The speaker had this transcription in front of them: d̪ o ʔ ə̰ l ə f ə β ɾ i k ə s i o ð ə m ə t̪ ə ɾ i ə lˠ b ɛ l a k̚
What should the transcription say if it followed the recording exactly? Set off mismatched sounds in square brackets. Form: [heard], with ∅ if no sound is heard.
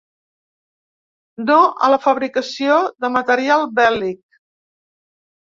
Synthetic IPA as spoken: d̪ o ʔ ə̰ l ə f ə β ɾ i k ə s i o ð ə m ə t̪ ə ɾ i [a] lˠ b ɛ l [i] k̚